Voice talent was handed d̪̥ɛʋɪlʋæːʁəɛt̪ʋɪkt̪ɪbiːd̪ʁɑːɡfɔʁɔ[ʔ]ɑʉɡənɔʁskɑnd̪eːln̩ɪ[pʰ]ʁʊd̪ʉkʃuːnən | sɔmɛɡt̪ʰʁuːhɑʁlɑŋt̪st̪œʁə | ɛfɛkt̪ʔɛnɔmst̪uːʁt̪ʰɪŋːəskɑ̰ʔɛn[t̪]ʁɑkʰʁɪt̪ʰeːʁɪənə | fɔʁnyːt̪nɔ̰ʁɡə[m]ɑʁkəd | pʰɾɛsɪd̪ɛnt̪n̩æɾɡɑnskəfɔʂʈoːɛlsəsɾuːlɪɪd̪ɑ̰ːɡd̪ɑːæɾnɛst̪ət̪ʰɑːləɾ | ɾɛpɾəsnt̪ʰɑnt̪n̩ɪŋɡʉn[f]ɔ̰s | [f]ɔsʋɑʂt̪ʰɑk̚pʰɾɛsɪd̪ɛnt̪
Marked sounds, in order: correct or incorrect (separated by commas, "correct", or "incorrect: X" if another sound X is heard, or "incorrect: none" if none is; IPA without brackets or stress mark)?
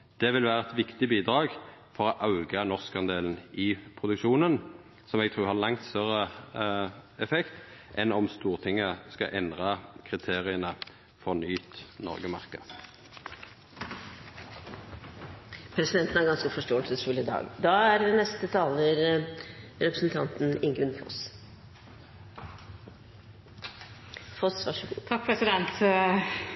correct, correct, incorrect: d̪, correct, correct, correct